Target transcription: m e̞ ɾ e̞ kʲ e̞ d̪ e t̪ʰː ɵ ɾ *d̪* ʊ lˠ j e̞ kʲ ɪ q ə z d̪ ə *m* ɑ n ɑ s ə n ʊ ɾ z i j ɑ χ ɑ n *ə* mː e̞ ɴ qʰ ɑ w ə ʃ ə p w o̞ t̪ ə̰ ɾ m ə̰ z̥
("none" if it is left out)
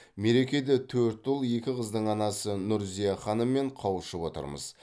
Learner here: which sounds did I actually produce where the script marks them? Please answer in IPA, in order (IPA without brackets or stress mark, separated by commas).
t̪, ɴ, ə